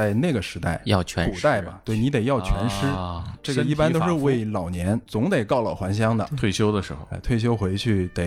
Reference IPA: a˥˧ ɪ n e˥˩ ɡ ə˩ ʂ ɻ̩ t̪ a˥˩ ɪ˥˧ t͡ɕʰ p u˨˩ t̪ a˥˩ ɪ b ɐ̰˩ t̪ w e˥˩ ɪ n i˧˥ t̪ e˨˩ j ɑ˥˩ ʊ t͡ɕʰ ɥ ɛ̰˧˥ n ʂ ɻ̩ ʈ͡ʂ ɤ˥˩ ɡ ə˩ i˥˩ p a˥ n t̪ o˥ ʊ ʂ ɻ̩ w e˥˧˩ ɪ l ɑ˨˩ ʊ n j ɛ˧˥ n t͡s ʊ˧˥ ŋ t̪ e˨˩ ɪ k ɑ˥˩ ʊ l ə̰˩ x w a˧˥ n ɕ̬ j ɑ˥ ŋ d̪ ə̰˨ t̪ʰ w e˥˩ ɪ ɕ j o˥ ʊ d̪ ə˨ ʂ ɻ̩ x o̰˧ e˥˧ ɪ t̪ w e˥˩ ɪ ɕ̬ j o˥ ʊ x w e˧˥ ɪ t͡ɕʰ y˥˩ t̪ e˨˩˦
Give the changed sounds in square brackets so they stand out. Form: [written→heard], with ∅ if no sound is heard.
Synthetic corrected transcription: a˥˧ ɪ n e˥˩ ɡ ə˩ ʂ ɻ̩ t̪ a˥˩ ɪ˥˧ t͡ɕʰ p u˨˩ t̪ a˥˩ ɪ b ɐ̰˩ t̪ w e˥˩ ɪ n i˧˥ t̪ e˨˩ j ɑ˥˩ ʊ t͡ɕʰ ɥ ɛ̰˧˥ n ʂ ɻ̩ ʈ͡ʂ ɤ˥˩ ɡ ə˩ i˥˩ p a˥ n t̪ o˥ ʊ ʂ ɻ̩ w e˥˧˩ ɪ l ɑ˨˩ ʊ n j ɛ˧˥ n t͡s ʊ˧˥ ŋ t̪ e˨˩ ɪ k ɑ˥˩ ʊ l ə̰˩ x w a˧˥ n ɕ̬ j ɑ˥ ŋ d̪ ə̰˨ t̪ʰ w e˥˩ ɪ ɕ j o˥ ʊ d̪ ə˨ ʂ ɻ̩ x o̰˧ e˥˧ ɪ [t̪→t̪ʰ] w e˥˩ ɪ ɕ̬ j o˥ ʊ x w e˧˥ ɪ t͡ɕʰ y˥˩ t̪ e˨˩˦